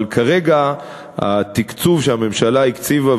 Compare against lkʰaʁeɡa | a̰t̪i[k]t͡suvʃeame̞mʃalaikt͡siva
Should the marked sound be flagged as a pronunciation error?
no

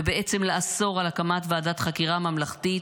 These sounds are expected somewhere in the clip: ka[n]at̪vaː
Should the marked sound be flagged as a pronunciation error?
yes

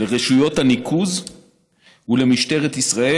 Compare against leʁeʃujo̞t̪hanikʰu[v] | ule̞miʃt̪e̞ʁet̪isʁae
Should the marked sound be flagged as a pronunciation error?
yes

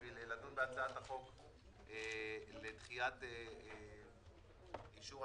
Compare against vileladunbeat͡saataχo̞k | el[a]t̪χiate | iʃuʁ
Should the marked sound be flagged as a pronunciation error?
yes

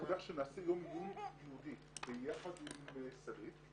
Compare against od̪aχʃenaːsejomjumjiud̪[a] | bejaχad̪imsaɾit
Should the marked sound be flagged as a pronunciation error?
yes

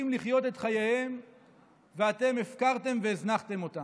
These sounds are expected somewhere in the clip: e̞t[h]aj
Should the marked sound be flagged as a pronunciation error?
yes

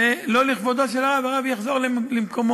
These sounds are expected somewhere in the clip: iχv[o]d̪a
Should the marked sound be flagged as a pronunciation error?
no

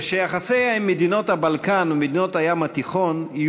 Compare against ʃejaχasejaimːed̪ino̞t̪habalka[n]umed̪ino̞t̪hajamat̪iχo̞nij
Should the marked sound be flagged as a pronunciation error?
no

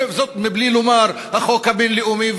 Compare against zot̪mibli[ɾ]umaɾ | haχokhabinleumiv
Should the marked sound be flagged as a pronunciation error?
yes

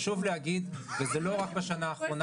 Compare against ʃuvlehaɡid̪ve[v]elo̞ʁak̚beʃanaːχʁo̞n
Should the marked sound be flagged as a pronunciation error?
yes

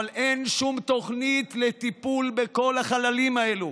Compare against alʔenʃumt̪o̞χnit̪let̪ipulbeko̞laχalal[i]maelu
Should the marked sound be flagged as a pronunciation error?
no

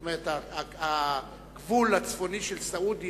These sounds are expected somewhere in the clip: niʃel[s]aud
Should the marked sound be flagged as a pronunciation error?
no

